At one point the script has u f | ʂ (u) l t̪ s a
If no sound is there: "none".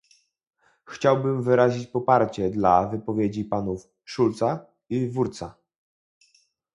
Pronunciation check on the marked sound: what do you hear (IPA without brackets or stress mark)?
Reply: u